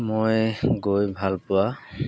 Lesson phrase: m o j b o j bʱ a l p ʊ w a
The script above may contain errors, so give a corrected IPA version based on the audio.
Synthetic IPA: m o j ɡ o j bʱ a l p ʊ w a